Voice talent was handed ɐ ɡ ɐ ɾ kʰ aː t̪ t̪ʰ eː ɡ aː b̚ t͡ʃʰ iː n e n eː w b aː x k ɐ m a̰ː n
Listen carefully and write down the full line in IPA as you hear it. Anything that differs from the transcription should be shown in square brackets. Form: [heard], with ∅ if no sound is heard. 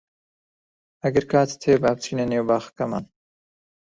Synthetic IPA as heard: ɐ ɡ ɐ ɾ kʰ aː t̪ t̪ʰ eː [b] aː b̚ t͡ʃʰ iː n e n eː w b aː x k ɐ m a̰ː n